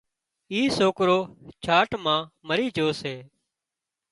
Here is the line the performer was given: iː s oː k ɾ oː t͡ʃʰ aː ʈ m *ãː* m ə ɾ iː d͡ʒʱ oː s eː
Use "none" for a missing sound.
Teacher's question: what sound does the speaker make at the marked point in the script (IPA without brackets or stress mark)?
ãː